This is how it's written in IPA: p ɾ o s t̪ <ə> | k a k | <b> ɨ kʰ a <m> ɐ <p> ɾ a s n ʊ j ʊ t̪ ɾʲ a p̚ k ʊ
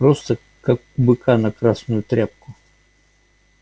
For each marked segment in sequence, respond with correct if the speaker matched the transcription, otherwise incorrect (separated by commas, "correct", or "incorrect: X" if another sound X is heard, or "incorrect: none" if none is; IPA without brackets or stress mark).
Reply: correct, correct, incorrect: n, incorrect: k